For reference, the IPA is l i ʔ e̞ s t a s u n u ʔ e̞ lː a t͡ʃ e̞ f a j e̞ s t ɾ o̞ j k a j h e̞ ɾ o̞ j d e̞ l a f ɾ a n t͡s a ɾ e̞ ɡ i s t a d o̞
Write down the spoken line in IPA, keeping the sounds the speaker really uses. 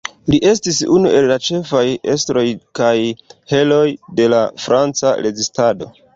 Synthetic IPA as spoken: l i ʔ e̞ s t i s u n u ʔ e̞ lː a t͡ʃ e̞ f a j e̞ s t ɾ o̞ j k a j h e̞ l o̞ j d e̞ l a f ɾ a n t͡s a ɾ e̞ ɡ i s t a d o̞